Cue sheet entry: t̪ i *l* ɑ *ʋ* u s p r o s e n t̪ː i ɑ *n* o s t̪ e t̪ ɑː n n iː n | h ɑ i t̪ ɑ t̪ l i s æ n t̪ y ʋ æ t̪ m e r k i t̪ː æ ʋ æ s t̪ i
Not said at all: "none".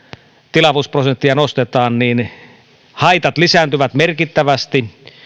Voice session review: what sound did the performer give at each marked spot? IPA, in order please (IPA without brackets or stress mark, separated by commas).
l, ʋ, n